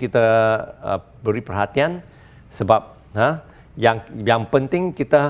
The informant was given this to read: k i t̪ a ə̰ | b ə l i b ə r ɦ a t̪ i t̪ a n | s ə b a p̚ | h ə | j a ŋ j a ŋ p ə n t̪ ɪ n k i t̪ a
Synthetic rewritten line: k i t̪ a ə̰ | b ə ɾ i p ə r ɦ a t̪ i a n | s ə b a p̚ | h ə | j a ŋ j a ŋ p ə n t̪ ɪ ŋ k i t̪ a